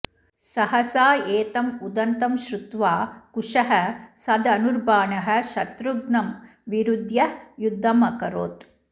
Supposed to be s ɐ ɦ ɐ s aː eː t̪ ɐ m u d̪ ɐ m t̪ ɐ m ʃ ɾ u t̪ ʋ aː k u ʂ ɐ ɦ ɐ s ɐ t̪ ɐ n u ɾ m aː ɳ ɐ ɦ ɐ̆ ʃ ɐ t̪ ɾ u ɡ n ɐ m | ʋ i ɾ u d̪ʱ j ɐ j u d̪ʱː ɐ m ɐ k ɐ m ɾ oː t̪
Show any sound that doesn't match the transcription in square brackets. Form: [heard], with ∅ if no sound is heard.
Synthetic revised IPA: s ɐ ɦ ɐ s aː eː t̪ ɐ m u d̪ ɐ [n] t̪ ɐ m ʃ ɾ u t̪ ʋ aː k u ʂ ɐ ɦ ɐ s ɐ [d̪] ɐ n u ɾ [b] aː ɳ ɐ ɦ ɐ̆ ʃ ɐ t̪ ɾ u ɡ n ɐ m | ʋ i ɾ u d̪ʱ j ɐ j u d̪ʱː ɐ m ɐ k ɐ [∅] ɾ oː t̪